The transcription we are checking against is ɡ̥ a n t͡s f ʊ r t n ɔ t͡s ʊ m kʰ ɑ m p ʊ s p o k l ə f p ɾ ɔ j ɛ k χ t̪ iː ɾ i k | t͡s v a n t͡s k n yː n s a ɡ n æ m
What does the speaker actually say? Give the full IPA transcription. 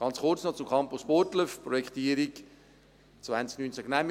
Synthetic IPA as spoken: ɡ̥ ɑ n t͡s χ ʊ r t͡s n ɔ t͡s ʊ m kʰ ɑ m p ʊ s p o t l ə f p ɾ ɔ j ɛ k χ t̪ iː ɾ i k | t͡s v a n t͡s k n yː n t͡s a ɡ n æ m